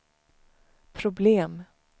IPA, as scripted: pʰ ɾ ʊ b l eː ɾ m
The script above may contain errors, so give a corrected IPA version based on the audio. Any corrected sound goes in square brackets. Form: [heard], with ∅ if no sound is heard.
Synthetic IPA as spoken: pʰ ɾ ʊ b l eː [∅] m